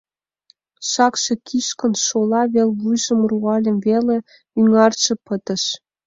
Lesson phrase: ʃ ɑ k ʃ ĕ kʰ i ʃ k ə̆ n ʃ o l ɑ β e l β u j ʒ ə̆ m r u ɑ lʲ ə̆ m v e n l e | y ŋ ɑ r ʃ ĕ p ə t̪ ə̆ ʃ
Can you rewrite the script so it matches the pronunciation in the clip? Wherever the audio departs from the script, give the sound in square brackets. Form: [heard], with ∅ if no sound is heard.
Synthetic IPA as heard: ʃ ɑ k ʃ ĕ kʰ i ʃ k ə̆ n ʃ o l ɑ β e l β u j ʒ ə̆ m r u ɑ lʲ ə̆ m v e [∅] l e | y ŋ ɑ r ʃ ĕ p ə t̪ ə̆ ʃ